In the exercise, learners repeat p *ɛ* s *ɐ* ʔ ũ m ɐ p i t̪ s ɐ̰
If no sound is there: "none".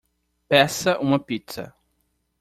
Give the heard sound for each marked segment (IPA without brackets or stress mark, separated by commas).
ɛ, ɐ